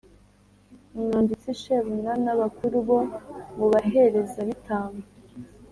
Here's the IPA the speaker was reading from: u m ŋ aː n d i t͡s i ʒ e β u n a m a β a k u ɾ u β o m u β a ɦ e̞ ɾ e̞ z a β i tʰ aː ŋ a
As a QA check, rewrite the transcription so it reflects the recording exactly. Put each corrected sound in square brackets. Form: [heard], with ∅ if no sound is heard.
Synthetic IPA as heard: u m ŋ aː n d i t͡s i [ʃ] e β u n a [n] a β a k u ɾ u β o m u β a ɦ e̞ ɾ e̞ z a β i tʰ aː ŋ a